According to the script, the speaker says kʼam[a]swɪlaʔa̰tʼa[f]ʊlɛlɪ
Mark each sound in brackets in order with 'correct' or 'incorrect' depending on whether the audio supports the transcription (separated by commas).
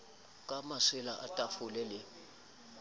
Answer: correct, correct